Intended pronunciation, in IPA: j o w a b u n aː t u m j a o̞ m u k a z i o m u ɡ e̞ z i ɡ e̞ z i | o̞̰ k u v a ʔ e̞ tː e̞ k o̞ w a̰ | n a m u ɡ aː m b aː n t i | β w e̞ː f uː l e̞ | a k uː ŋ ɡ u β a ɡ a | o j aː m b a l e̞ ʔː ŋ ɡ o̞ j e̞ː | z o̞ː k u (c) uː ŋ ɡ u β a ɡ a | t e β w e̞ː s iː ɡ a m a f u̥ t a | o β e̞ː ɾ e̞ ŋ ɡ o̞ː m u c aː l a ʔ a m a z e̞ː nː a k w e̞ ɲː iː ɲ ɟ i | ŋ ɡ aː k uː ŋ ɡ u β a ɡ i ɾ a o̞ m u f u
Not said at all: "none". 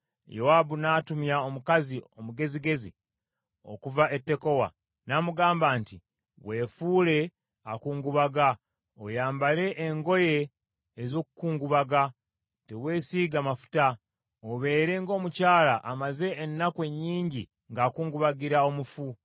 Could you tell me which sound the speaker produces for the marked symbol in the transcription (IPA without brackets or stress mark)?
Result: k